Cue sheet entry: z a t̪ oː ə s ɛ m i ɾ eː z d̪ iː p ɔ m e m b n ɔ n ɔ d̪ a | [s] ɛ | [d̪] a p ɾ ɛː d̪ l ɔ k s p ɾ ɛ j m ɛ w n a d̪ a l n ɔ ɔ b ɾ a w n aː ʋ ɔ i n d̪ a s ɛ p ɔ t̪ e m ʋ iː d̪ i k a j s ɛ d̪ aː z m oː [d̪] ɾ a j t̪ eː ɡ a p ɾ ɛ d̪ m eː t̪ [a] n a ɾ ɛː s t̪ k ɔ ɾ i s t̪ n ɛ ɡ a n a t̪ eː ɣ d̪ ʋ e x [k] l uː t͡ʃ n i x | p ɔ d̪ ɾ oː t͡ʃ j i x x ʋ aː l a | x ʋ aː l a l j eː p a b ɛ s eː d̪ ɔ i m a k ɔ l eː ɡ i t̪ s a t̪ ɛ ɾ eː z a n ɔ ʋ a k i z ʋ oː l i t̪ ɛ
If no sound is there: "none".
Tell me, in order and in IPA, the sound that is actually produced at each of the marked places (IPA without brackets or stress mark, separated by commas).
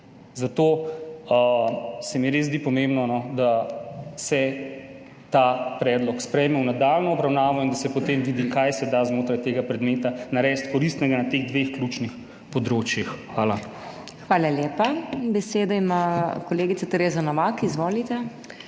s, t̪, t̪, a, k